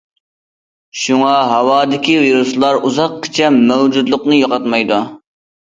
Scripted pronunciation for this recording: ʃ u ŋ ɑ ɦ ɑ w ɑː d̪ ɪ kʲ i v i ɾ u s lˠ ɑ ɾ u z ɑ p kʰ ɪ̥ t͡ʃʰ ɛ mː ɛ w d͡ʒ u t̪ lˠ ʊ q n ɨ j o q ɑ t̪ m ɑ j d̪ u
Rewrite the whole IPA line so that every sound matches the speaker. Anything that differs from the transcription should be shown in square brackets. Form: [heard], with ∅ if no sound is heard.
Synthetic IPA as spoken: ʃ u ŋ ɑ ɦ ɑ w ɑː d̪ ɪ kʲ i v i ɾ u s lˠ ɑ ɾ u z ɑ [q] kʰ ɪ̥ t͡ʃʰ ɛ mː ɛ w d͡ʒ u [d̪] lˠ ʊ q n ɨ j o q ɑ t̪ m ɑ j d̪ u

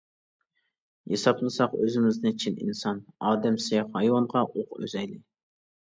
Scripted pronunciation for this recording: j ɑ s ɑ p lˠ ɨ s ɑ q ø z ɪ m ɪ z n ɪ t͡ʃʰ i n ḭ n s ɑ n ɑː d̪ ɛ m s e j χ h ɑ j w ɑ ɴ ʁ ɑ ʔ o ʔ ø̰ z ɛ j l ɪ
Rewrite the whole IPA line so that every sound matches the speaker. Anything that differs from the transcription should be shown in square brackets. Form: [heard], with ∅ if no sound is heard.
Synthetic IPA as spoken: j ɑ s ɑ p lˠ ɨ s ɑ q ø z ɪ m ɪ z n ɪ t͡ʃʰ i n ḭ n s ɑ n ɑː d̪ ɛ m s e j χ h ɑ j w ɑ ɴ ʁ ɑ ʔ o [q] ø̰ z ɛ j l ɪ

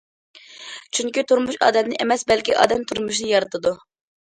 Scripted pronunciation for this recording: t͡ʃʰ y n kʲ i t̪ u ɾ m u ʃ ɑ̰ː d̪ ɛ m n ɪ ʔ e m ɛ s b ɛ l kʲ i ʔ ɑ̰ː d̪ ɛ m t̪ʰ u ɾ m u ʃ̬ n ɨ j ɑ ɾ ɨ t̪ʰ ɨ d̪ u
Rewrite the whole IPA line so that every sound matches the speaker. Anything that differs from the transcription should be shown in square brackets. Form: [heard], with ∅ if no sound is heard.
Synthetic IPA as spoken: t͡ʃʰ y [ŋ] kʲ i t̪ u ɾ m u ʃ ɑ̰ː d̪ ɛ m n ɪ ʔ e m ɛ s b ɛ l kʲ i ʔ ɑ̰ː d̪ ɛ m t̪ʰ u ɾ m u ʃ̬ n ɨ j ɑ ɾ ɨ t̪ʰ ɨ d̪ u

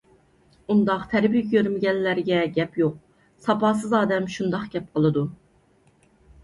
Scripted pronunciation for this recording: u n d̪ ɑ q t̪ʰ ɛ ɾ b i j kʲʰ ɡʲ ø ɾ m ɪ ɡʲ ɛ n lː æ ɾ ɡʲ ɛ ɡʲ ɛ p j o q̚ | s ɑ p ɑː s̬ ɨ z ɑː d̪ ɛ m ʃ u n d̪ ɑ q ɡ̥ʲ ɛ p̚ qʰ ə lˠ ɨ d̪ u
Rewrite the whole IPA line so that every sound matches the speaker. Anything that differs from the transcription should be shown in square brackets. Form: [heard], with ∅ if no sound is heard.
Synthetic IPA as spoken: u n d̪ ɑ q t̪ʰ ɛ ɾ b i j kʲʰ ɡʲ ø ɾ m ɪ ɡʲ ɛ n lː æ ɾ ɡʲ ɛ ɡʲ ɛ p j o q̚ | s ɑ p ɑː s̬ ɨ z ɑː d̪ ɛ m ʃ u n d̪ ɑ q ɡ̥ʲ ɛ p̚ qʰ ə lˠ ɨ d̪ u

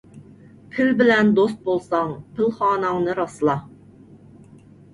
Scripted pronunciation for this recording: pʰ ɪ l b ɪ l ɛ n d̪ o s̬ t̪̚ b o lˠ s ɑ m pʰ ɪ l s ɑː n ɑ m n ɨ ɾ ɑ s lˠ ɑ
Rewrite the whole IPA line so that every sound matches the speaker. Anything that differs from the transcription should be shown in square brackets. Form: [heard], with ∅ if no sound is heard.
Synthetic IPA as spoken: pʰ ɪ l b ɪ l ɛ n d̪ o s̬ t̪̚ b o lˠ s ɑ [ŋ] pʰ ɪ l [χ] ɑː n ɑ [ŋ] n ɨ ɾ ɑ s lˠ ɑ

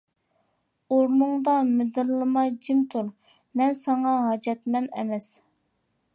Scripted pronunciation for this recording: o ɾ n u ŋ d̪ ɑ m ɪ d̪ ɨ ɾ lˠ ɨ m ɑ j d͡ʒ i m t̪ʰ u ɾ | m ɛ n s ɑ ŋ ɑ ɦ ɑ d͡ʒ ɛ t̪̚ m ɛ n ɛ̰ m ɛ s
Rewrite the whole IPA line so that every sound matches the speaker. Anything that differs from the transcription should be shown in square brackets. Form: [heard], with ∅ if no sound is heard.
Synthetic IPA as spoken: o ɾ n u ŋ d̪ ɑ m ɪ d̪ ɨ ɾ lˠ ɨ m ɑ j d͡ʒ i m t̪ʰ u ɾ | m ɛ n s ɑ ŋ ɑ ɦ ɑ d͡ʒ ɛ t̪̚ m ɛ n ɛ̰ m ɛ s

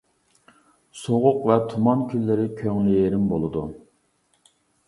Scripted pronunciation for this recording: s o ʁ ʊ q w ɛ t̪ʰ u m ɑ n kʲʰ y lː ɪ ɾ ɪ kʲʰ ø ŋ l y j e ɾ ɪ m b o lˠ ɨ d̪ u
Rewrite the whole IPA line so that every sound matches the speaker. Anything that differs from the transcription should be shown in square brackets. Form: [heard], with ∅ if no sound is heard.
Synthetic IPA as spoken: s o ʁ ʊ q [v] ɛ t̪ʰ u m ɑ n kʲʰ y lː ɪ ɾ ɪ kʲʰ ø ŋ l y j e ɾ ɪ m b o lˠ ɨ d̪ u

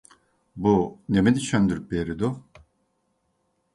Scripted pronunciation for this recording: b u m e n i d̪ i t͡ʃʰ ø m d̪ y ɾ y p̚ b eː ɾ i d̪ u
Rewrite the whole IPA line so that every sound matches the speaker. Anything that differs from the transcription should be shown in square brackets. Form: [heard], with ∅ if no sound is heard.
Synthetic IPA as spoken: b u [n] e [m] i d̪ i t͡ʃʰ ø [n] d̪ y ɾ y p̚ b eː ɾ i d̪ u

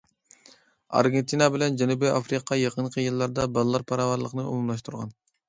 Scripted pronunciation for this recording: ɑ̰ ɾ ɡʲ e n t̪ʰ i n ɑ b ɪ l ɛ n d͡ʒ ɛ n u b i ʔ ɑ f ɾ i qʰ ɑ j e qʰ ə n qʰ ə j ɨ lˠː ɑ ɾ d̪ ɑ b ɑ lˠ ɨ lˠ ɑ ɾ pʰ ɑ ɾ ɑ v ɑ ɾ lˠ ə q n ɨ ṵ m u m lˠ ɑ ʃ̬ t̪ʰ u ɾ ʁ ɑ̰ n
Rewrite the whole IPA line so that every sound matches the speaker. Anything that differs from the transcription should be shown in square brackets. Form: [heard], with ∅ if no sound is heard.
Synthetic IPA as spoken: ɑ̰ ɾ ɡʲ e n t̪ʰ i n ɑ b ɪ l ɛ n d͡ʒ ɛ n u b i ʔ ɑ f ɾ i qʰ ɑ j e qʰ ə n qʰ ə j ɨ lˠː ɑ ɾ d̪ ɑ b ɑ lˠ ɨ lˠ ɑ ɾ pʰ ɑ ɾ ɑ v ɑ ɾ lˠ ə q n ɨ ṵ m u m lˠ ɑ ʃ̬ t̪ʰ u ɾ ʁ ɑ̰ n

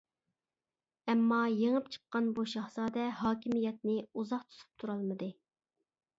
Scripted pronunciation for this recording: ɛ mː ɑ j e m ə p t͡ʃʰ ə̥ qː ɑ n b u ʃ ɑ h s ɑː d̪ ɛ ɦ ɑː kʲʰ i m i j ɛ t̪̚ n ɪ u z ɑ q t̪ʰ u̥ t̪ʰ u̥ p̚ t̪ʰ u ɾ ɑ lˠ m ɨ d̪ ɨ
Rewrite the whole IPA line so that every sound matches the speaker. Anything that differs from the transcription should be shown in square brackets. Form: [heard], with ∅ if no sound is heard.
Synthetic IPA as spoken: ɛ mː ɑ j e [ŋ] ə p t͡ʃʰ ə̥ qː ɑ n b u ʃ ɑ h s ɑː d̪ ɛ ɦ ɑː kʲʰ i m i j ɛ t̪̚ n ɪ u z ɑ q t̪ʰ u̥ t̪ʰ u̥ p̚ t̪ʰ u ɾ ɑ lˠ m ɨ d̪ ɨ

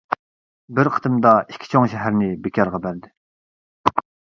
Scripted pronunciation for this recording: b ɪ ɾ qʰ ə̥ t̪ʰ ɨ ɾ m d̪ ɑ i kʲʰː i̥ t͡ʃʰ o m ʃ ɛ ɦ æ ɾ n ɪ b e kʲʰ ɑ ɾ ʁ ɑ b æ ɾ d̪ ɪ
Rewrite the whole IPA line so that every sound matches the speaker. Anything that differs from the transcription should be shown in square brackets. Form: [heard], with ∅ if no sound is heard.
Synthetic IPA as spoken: b ɪ ɾ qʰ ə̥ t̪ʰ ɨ [∅] m d̪ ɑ i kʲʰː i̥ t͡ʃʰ o [ŋ] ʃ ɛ ɦ æ ɾ n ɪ b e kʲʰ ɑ ɾ ʁ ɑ b æ ɾ d̪ ɪ

